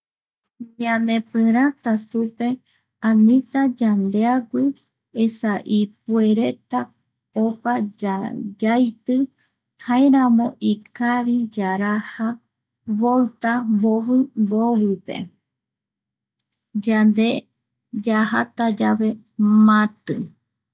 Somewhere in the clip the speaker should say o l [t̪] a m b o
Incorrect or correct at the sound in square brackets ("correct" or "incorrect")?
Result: correct